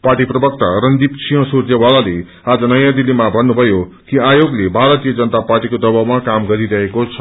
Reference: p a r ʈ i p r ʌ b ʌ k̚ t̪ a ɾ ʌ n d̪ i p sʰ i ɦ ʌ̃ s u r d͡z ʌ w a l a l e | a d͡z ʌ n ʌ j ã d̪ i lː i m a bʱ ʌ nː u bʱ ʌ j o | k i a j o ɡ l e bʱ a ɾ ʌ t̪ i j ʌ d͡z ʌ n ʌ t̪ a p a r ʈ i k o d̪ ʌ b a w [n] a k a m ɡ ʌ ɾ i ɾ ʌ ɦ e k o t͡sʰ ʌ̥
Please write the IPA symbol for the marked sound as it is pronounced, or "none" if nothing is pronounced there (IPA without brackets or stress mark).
m